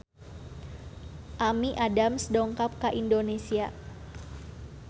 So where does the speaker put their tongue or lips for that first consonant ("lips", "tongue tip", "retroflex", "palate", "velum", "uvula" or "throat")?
throat